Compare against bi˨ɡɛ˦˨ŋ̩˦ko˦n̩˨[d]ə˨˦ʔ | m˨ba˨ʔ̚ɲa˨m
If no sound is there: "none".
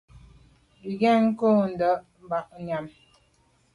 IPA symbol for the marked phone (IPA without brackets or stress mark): d